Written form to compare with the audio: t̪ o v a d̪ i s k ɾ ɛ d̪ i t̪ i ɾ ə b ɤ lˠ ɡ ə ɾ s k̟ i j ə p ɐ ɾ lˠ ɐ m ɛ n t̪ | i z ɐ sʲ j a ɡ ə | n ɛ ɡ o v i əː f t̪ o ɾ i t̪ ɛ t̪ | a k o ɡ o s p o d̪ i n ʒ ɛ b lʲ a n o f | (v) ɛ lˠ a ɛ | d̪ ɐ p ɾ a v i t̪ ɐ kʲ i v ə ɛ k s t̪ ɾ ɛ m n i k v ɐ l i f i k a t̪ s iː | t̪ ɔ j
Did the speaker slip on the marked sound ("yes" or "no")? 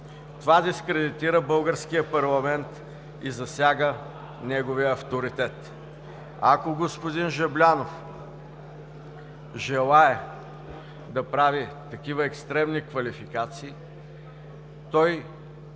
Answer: yes